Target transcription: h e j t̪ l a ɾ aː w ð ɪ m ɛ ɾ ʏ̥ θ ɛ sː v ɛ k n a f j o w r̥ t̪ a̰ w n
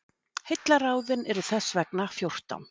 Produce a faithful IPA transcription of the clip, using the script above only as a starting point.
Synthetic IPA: h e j t̪ l a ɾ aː w ð ɪ n ɛ ɾ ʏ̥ θ ɛ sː v ɛ k n a f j o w r̥ t̪ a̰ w n